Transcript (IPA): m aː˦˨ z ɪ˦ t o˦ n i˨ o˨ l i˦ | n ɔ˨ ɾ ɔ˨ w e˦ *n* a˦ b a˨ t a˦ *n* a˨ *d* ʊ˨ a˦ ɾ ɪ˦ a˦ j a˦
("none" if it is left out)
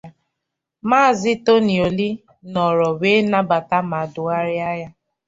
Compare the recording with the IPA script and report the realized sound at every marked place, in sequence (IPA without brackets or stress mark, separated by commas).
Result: n, m, d